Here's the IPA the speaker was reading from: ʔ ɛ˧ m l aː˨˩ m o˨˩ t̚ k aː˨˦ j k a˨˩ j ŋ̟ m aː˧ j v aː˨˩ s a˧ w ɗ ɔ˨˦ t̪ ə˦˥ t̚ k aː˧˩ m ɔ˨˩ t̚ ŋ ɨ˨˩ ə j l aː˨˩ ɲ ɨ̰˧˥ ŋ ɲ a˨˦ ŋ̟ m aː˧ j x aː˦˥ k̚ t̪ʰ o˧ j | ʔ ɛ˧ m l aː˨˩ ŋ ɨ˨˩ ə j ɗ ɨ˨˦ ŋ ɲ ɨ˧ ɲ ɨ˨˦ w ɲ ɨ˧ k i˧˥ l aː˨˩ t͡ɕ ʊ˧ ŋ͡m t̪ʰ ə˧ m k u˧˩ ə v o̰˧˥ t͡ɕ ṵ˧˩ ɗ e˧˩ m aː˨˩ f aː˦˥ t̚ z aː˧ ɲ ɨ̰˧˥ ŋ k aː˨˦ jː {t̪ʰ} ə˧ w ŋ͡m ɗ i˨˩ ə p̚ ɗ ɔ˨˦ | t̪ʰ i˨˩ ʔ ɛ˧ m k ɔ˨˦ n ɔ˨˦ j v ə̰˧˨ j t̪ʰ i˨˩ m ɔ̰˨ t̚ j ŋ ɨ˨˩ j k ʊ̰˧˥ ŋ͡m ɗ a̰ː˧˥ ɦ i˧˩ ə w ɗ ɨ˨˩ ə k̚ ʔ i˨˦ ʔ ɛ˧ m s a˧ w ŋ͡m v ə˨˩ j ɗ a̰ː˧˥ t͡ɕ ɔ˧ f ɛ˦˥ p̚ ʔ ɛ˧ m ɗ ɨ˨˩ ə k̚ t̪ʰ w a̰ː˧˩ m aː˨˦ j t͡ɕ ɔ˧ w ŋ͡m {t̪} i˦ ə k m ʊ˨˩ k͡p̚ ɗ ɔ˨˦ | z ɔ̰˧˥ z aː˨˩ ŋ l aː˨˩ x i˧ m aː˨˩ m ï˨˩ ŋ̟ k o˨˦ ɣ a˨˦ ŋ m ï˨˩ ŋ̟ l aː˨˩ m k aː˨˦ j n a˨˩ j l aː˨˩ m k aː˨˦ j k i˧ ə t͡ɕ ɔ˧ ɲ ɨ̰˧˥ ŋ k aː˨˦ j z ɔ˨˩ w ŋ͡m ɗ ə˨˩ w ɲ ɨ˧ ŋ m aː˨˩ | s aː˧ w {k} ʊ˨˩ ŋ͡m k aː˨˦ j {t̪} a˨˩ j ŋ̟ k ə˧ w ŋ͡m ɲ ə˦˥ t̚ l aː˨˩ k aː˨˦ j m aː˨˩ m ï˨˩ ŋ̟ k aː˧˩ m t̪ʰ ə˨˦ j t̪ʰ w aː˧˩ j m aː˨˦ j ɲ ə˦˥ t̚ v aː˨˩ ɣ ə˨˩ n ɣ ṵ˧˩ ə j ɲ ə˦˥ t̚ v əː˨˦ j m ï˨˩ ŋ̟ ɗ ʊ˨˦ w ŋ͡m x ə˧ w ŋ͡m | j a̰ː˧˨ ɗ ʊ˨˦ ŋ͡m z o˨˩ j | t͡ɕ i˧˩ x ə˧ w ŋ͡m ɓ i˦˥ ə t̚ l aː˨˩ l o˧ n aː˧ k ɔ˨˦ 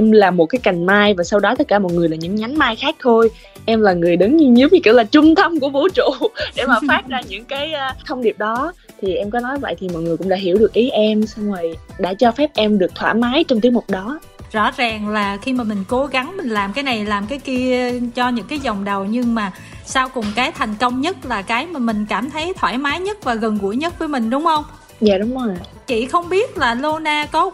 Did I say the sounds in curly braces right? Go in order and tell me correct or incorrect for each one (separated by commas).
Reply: correct, correct, correct, incorrect